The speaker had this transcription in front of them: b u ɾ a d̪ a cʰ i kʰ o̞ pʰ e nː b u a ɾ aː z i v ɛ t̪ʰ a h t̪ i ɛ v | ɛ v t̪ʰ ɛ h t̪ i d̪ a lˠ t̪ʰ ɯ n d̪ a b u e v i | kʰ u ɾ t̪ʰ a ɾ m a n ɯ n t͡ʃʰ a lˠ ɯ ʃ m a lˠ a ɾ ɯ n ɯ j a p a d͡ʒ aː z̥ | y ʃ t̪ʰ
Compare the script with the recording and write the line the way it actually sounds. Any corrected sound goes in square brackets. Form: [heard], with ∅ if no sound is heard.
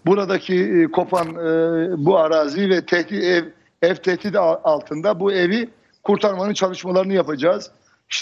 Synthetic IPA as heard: b u ɾ a d̪ a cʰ i kʰ o̞ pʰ [a] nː b u a ɾ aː z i v ɛ t̪ʰ [ɛ] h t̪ i ɛ v | ɛ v t̪ʰ ɛ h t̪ i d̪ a lˠ t̪ʰ ɯ n d̪ a b u e v i | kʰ u ɾ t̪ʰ a ɾ m a n ɯ n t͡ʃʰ a lˠ ɯ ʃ m a lˠ a ɾ ɯ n ɯ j a p a d͡ʒ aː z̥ | [i] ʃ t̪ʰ

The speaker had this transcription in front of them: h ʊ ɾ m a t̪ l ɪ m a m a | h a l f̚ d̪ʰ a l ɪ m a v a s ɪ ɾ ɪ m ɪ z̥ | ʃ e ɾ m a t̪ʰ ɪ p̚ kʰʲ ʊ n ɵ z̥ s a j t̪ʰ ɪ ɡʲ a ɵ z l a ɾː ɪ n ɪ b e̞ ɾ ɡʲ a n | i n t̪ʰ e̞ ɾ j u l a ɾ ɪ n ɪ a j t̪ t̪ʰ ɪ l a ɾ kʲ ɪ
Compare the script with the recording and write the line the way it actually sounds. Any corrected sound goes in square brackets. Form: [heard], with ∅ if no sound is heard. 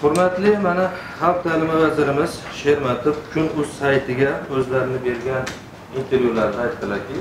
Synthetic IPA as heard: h ʊ ɾ m a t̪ l ɪ m a [n] a | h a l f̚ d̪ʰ a l ɪ m a v a [z] ɪ ɾ ɪ m ɪ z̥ | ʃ e ɾ m a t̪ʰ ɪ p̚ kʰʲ ʊ n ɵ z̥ s a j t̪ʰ ɪ ɡʲ a ɵ z l a [ɾ] ɪ n ɪ b e̞ ɾ ɡʲ a n | i n t̪ʰ e̞ ɾ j u l a ɾ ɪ n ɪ a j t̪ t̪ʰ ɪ l a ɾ kʲ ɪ

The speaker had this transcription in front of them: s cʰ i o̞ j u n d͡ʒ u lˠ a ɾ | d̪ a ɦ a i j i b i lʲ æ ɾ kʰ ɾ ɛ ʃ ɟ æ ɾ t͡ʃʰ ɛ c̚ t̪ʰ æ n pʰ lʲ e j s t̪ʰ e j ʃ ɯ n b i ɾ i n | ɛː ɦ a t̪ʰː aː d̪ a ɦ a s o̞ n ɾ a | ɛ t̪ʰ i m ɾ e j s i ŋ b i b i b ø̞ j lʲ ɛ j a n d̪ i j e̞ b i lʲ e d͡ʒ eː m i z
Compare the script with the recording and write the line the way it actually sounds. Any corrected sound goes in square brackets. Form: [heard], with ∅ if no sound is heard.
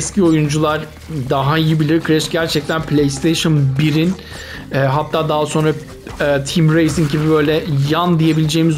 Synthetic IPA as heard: s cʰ i o̞ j u n d͡ʒ u lˠ a ɾ | d̪ a ɦ a i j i b i lʲ [i] ɾ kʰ ɾ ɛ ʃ ɟ æ ɾ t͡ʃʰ ɛ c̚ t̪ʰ æ n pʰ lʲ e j s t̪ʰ e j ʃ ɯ n b i ɾ i n | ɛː ɦ a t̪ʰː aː d̪ a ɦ a s o̞ n ɾ a | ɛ t̪ʰ i m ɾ e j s i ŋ [ɟ] i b i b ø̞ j lʲ ɛ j a n d̪ i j e̞ b i lʲ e d͡ʒ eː m i z

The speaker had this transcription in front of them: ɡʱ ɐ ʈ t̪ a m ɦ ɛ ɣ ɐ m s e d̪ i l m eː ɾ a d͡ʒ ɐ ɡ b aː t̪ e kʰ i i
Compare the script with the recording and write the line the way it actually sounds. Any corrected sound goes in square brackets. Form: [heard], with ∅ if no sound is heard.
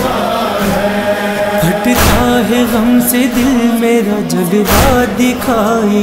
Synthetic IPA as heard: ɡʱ ɐ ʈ t̪ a [∅] ɦ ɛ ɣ ɐ m s e d̪ [ɪ] l m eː ɾ a d͡ʒ ɐ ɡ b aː [d̪] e kʰ [a] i

